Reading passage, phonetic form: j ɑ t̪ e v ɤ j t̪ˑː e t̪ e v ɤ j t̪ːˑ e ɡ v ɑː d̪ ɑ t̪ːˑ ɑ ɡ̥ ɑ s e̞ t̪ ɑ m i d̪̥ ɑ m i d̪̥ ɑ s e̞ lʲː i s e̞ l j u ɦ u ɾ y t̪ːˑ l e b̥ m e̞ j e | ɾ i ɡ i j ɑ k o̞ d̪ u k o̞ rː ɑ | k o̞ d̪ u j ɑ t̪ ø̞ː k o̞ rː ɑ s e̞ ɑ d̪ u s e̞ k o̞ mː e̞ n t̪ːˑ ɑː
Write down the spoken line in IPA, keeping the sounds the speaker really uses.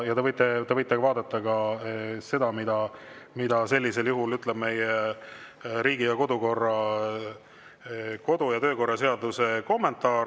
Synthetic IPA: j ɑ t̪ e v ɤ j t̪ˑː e t̪ e v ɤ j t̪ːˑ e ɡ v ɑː d̪ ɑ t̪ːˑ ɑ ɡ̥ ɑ s e̞ d̪ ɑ m i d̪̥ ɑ m i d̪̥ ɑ s e̞ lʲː i s e̞ l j u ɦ u l y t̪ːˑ l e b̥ m e̞ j e | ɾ iː ɡ i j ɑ k o̞ d̪ u k o̞ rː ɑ | k o̞ d̪ u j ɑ t̪ ø̞ː k o̞ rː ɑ s e̞ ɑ d̪ u s e̞ k o̞ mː e̞ n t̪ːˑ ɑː